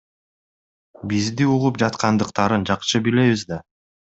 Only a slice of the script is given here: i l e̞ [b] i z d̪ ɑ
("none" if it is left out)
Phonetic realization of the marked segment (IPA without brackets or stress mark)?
β